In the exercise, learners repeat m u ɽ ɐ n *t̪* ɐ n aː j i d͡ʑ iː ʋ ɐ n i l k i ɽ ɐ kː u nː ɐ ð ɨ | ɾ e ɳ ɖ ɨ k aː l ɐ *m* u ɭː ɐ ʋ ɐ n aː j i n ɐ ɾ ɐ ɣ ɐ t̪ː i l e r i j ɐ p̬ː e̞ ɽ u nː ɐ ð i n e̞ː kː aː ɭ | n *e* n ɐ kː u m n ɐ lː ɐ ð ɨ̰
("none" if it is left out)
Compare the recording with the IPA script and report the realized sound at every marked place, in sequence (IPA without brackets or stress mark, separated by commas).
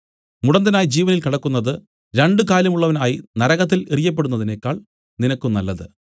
d̪, m, i